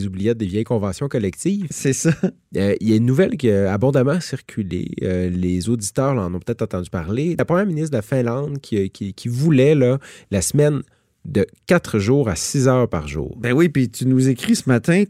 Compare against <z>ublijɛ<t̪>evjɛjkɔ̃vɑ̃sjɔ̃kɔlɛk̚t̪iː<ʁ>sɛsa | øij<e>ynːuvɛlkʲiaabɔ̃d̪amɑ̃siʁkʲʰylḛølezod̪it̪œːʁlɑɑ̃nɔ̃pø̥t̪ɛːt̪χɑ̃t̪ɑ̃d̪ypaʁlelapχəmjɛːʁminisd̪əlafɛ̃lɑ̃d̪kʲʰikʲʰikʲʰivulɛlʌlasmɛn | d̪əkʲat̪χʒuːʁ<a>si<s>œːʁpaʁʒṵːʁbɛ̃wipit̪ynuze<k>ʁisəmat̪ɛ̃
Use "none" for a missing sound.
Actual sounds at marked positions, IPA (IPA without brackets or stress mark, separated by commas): z, d̪, v, a, a, z, k